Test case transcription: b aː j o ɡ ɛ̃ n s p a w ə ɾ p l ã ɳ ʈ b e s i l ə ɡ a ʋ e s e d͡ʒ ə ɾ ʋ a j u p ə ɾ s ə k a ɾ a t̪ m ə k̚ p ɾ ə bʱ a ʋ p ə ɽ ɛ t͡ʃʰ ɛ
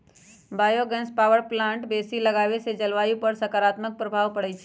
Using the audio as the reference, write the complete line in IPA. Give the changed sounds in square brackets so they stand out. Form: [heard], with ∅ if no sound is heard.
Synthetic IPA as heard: b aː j o ɡ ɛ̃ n s p a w ə ɾ p l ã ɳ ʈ b e s i l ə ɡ a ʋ e s e d͡ʒ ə [l] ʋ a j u p ə ɾ s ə k a ɾ a t̪ m ə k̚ p ɾ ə bʱ a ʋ p ə ɽ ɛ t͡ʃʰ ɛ